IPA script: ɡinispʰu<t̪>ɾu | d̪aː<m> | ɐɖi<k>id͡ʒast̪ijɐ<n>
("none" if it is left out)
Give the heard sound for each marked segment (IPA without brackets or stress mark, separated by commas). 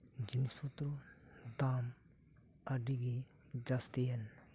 t̪, m, ɡ, n